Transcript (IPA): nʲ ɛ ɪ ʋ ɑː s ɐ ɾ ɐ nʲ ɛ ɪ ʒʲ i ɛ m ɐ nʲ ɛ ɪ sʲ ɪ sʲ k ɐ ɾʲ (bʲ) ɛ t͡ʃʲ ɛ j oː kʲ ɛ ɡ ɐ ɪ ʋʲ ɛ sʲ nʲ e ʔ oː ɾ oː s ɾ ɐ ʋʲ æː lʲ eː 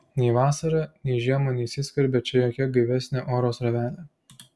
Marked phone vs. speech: correct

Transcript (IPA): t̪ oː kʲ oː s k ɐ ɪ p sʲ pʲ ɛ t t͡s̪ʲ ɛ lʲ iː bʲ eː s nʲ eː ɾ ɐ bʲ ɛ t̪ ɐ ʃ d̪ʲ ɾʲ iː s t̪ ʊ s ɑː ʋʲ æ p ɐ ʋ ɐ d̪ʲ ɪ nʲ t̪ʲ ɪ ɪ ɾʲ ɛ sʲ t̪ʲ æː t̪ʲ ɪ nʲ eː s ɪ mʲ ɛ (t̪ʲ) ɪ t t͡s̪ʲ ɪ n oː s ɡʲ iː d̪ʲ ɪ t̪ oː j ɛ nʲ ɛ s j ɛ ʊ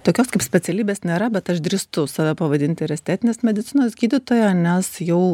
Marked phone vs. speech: incorrect: d̪ʲ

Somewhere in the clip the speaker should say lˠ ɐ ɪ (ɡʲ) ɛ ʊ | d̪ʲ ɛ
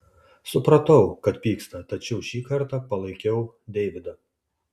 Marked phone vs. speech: incorrect: kʲ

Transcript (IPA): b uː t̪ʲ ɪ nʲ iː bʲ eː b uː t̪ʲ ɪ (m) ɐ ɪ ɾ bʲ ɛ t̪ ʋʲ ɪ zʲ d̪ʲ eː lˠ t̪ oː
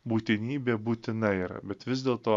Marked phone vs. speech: incorrect: n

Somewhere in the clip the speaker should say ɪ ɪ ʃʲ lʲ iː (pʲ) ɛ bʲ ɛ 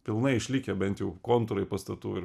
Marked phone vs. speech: incorrect: kʲ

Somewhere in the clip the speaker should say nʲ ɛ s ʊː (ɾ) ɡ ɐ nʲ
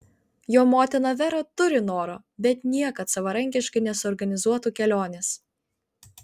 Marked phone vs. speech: correct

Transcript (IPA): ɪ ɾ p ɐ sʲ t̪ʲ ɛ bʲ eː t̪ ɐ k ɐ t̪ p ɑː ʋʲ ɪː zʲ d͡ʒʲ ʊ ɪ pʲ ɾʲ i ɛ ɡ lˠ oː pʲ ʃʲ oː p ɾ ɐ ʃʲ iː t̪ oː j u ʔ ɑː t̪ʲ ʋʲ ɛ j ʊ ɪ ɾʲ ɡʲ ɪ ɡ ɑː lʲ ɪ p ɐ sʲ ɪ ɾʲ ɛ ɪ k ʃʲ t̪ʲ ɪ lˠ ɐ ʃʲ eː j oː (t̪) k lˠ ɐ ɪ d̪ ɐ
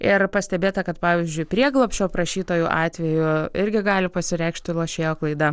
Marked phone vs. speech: incorrect: none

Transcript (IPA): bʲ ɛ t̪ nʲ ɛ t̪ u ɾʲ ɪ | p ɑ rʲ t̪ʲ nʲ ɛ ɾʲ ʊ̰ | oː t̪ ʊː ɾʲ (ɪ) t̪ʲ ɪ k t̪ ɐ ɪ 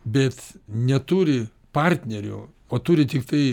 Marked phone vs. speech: correct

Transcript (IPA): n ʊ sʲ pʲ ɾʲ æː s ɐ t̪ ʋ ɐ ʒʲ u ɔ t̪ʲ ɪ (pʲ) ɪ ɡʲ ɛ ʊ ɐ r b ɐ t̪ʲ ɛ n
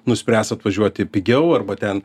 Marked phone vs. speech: correct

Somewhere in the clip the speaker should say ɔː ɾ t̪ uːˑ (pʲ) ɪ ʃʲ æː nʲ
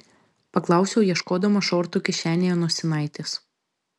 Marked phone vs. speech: incorrect: kʲ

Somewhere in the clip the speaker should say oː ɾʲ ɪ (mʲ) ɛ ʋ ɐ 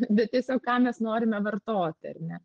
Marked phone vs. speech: correct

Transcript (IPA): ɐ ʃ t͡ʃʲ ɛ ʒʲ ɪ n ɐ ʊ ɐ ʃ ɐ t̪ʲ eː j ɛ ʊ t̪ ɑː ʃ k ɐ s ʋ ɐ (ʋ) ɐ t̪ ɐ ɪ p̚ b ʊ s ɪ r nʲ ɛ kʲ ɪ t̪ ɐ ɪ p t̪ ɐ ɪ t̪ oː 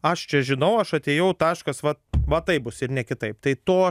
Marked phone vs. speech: correct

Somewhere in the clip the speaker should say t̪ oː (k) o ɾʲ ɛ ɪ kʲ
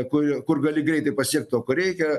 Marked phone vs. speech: correct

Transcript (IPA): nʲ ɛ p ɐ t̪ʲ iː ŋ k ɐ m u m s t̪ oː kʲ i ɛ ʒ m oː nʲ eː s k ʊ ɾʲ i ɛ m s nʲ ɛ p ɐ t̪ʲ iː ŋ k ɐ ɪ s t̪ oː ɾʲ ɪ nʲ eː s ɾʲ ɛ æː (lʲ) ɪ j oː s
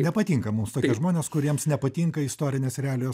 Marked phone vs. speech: correct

